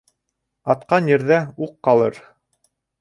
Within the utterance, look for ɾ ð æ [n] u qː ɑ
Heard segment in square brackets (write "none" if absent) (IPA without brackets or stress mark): none